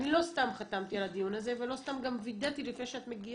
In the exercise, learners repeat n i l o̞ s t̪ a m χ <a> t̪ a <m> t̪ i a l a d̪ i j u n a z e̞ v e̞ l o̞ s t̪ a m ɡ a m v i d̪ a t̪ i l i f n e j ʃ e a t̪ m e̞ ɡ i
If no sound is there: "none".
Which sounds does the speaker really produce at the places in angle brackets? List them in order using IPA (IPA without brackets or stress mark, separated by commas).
a, m